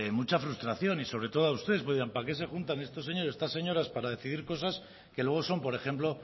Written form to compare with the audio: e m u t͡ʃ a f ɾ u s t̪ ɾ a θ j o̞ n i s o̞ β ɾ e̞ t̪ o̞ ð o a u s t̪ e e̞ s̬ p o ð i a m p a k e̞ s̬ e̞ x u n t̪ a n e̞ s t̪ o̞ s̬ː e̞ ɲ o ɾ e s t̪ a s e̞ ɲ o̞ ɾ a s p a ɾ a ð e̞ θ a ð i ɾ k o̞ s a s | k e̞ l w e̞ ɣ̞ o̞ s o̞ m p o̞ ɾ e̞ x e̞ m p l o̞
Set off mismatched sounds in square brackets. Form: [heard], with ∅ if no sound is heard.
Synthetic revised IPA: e m u t͡ʃ a f ɾ u s t̪ ɾ a θ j o̞ n i s o̞ β ɾ e̞ t̪ o̞ ð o a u s t̪ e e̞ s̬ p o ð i a m p a k e̞ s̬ e̞ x u n t̪ a n e̞ s t̪ o̞ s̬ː e̞ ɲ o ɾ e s t̪ a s e̞ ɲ o̞ ɾ a s p a ɾ a ð e̞ θ [i] ð i ɾ k o̞ s a s | k e̞ l w e̞ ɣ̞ o̞ s o̞ m p o̞ ɾ e̞ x e̞ m p l o̞